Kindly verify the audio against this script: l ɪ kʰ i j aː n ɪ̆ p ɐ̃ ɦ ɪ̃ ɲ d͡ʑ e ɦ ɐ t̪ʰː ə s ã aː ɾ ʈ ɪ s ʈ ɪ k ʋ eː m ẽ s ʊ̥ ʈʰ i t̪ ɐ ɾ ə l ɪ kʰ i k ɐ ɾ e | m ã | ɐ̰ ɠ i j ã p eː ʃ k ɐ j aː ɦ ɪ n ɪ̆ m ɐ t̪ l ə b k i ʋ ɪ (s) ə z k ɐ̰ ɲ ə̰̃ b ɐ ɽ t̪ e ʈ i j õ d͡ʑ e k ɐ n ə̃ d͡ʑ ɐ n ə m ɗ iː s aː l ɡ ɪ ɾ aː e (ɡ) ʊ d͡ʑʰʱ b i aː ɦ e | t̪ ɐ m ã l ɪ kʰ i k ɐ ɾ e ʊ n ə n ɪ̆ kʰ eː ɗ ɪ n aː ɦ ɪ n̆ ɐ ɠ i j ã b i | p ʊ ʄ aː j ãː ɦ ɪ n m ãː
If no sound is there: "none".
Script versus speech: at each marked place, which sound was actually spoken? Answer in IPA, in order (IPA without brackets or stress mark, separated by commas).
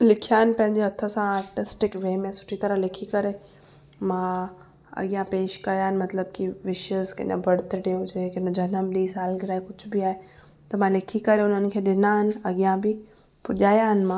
ʃ, k